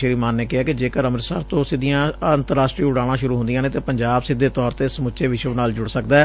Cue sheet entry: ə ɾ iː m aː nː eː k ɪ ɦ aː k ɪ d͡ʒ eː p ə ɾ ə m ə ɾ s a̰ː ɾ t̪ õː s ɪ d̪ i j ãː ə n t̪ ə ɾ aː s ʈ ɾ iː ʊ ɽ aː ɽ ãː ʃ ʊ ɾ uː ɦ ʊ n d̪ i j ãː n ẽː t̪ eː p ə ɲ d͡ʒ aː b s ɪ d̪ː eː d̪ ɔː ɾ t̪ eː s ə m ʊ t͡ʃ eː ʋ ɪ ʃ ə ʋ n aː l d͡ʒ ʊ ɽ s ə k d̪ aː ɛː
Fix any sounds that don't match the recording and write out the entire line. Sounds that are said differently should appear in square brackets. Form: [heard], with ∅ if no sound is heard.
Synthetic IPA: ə ɾ iː m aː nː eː k ɪ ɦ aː k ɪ d͡ʒ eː [k] ə ɾ ə m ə ɾ s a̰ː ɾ t̪ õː s ɪ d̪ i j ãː ə n t̪ ə ɾ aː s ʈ ɾ iː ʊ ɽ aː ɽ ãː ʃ ʊ ɾ uː ɦ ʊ n d̪ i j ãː n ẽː t̪ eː p ə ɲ d͡ʒ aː b s ɪ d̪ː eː [t̪] ɔː ɾ t̪ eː s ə m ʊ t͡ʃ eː ʋ ɪ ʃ ə ʋ n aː l d͡ʒ ʊ ɽ s ə k d̪ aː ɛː